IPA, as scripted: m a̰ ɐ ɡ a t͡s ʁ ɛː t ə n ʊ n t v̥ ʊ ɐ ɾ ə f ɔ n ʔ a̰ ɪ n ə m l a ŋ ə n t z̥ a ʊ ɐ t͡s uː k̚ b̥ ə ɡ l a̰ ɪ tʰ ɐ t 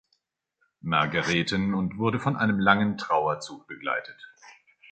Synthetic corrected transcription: m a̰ ɐ ɡ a ʁ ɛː t ə n ʊ n t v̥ ʊ ɐ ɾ ə f ɔ n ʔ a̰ ɪ n ə m l a ŋ ə n t ʁ̥ a ʊ ɐ t͡s uː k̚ b̥ ə ɡ l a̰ ɪ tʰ ə t